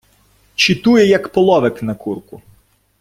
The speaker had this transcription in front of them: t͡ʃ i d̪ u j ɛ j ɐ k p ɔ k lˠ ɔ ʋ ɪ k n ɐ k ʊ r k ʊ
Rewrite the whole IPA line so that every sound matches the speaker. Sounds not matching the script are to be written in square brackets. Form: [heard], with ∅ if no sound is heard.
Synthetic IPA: t͡ʃ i [t̪] u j ɛ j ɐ k p ɔ [∅] lˠ ɔ ʋ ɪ k n ɐ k [u] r k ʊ